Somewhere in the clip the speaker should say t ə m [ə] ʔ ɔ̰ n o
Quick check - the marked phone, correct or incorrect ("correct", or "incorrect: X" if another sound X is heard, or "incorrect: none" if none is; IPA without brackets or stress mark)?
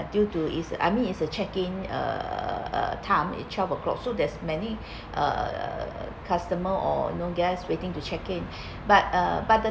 correct